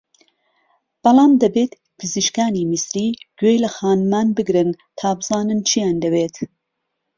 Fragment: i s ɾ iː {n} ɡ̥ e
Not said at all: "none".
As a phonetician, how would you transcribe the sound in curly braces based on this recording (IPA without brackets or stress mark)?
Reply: none